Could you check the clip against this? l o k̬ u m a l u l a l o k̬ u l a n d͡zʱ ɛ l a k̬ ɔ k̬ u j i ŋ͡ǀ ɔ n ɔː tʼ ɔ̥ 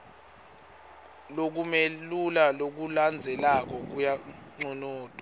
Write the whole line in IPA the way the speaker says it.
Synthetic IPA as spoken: l o k̬ u m e l u l a l o k̬ u l a n d͡zʱ ɛ l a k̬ ɔ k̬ u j a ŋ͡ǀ ɔ n ɔː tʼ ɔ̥